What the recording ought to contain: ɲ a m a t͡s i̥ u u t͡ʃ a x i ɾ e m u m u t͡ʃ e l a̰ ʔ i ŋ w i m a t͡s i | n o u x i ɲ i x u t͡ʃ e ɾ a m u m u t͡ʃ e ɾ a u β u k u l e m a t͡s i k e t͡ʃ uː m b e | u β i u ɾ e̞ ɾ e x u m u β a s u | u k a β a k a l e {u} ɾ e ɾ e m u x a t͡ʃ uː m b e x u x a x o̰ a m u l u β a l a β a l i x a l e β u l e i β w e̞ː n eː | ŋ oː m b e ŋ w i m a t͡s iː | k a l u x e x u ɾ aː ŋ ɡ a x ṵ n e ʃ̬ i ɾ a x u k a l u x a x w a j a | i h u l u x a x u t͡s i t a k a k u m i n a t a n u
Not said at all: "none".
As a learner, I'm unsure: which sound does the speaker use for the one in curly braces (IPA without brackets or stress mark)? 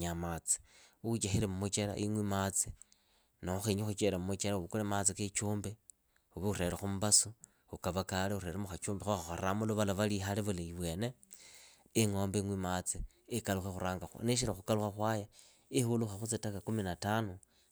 u